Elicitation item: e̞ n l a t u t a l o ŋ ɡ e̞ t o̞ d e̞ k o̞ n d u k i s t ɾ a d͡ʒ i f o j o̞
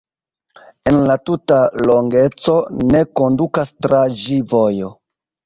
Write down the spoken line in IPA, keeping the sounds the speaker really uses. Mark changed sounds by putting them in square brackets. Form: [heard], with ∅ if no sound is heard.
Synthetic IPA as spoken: e̞ n l a t u t a l o ŋ ɡ e̞ [t͡s] o̞ [n] e̞ k o̞ n d u k [a] s t ɾ a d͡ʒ i [v] o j o̞